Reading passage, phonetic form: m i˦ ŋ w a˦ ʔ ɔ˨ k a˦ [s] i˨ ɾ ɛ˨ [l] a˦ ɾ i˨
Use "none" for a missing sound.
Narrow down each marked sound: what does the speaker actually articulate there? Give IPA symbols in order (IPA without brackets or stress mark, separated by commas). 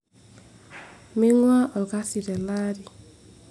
s, l